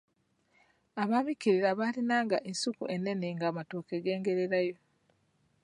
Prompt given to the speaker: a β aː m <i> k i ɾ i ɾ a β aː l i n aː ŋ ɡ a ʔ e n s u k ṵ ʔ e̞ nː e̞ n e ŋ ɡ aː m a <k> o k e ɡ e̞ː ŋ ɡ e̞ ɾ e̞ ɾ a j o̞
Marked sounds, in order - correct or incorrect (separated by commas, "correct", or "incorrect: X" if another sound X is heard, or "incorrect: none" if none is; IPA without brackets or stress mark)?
correct, incorrect: t